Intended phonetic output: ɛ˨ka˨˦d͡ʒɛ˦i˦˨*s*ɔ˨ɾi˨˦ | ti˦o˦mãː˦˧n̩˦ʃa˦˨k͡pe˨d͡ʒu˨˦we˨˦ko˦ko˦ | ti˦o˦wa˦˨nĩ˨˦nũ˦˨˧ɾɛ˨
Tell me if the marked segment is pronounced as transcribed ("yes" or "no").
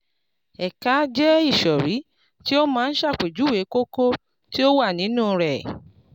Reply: no